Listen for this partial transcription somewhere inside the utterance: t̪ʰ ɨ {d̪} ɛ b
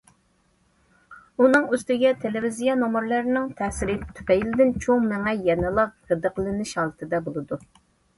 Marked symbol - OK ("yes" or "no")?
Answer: yes